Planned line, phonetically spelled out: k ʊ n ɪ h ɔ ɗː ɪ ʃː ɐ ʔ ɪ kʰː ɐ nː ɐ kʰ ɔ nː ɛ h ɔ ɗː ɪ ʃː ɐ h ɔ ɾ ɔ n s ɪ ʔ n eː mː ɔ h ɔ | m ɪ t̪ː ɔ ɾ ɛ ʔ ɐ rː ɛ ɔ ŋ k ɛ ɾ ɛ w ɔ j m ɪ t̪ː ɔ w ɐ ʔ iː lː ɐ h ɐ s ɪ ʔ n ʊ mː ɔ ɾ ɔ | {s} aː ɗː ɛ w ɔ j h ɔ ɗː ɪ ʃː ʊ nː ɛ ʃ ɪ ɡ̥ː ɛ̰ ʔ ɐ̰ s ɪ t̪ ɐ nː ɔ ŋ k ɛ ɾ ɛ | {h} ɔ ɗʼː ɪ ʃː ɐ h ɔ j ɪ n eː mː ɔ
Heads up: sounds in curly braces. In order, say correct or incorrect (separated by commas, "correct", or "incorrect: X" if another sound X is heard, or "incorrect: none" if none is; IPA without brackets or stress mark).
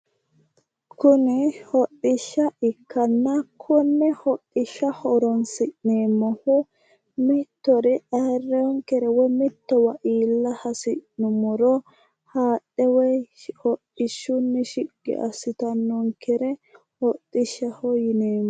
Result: incorrect: h, correct